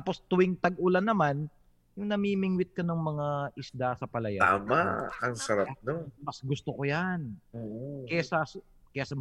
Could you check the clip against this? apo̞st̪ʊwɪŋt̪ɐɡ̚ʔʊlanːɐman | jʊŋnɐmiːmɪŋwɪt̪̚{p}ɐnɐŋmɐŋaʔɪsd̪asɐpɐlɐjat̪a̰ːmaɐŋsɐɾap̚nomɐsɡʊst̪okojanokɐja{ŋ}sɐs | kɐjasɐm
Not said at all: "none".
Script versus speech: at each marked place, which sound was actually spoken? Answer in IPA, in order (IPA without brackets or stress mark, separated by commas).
k, none